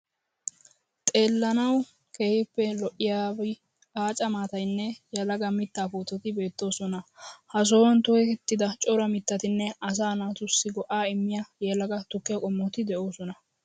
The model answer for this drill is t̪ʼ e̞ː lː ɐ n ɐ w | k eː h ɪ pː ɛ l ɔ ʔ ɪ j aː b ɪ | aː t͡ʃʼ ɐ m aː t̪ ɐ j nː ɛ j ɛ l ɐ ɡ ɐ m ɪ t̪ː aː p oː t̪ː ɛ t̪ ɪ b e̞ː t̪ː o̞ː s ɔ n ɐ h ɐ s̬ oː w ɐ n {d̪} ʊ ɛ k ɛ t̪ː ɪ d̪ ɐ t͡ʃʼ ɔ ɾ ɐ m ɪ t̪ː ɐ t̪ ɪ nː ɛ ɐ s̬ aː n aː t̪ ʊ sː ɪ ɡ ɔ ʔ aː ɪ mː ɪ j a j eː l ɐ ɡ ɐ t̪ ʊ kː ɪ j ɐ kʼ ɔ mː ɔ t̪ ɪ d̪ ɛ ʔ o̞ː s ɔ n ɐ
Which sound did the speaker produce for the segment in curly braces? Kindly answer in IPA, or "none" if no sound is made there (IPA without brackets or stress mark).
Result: t̪